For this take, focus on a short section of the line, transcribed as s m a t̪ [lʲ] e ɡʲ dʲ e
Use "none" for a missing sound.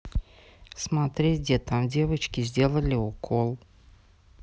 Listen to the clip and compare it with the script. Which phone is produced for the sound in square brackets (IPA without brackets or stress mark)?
ɾʲ